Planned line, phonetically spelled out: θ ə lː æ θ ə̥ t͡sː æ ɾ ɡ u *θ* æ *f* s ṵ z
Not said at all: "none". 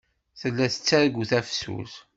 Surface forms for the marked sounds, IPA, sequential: θ, f

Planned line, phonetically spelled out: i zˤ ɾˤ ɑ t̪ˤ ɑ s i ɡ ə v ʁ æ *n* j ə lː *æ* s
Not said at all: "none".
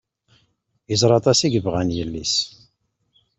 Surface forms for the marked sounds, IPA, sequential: n, i

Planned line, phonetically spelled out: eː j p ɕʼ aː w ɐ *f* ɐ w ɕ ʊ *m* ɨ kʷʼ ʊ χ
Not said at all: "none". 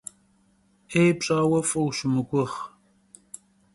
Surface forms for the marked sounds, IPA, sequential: f, m

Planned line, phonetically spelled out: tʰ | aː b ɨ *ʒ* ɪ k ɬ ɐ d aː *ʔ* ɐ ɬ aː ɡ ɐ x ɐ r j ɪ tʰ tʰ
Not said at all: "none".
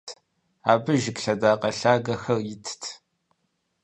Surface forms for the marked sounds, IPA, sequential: ʒ, q

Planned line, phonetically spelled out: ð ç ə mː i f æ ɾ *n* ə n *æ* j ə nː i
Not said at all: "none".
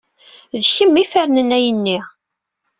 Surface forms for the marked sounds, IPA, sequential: n, æ

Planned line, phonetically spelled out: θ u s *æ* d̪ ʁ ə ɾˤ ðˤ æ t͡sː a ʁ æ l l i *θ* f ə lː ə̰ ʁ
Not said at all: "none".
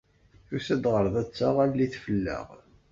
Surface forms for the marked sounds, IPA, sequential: æ, θ

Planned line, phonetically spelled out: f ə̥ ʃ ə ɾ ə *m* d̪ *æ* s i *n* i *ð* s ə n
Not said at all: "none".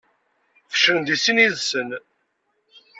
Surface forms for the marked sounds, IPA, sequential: n, i, n, ð

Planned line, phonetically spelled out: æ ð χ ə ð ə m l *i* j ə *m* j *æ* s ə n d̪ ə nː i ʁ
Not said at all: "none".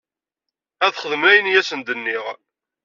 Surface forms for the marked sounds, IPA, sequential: æ, n, æ

